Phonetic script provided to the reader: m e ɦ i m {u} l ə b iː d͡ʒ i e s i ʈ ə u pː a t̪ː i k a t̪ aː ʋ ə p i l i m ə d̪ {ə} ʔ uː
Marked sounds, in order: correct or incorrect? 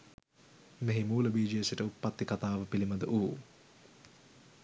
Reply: incorrect, correct

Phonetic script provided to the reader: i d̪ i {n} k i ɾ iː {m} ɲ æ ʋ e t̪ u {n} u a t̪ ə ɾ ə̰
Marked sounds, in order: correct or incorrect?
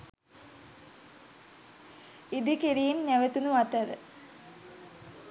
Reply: incorrect, correct, correct

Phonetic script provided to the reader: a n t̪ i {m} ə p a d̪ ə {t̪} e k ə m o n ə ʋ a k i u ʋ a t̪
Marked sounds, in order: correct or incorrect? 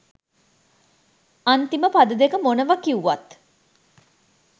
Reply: correct, incorrect

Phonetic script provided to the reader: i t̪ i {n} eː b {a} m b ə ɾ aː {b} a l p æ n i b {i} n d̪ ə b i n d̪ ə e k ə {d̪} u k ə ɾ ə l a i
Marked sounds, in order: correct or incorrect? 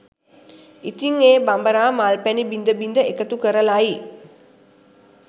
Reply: incorrect, correct, incorrect, correct, incorrect

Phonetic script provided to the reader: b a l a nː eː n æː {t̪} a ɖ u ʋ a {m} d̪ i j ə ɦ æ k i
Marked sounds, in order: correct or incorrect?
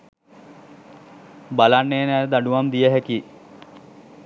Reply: incorrect, correct

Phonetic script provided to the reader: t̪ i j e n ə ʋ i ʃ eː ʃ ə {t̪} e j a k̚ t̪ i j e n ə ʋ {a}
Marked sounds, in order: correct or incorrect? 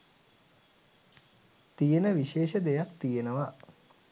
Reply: incorrect, correct

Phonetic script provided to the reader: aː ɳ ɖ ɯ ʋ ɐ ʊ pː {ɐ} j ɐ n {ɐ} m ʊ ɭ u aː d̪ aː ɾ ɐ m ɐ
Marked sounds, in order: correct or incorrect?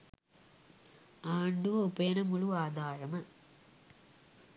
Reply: correct, correct

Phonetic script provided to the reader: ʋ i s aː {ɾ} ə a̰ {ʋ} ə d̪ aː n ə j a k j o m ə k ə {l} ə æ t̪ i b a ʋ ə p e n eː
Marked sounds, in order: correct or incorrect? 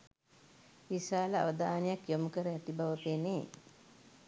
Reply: incorrect, correct, incorrect

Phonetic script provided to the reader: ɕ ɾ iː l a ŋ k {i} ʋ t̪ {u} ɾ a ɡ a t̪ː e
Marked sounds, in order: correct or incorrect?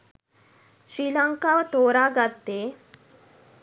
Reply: incorrect, incorrect

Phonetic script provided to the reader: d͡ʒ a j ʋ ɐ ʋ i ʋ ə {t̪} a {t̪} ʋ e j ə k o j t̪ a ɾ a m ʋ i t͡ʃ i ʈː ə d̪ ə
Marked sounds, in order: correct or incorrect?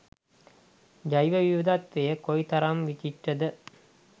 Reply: incorrect, correct

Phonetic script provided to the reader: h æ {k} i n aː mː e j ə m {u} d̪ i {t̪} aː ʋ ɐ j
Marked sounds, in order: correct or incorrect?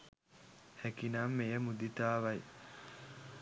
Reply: correct, correct, correct

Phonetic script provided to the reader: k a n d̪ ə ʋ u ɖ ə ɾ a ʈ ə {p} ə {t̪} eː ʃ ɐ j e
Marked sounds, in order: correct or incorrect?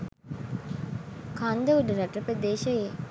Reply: correct, incorrect

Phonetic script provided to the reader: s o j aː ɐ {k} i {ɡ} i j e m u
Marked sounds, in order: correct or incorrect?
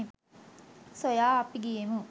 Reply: incorrect, correct

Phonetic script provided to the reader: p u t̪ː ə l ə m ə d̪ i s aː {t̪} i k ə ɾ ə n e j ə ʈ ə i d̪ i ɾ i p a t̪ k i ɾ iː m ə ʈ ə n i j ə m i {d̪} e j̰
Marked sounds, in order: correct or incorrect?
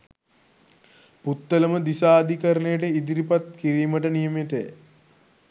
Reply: incorrect, incorrect

